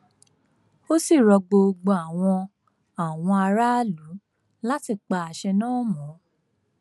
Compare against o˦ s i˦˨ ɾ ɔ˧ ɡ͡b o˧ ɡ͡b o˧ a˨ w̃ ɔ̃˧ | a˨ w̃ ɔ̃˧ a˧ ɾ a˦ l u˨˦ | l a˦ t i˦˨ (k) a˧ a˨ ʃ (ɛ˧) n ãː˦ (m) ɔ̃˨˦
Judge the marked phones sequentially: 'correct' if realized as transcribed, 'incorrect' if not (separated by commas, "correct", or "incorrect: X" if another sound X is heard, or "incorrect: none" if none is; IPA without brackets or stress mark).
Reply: incorrect: k͡p, correct, correct